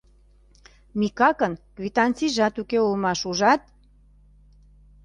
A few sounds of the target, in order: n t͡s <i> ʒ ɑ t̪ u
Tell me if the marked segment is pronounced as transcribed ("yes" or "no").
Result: yes